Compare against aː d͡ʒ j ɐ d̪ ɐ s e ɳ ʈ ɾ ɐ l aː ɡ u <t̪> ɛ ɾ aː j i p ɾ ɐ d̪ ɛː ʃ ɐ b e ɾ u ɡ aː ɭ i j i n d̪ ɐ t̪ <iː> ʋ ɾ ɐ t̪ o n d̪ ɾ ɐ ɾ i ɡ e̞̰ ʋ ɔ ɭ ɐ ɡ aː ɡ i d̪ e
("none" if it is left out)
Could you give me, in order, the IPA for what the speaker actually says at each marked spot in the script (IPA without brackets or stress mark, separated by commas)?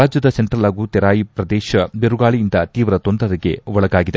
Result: t̪, iː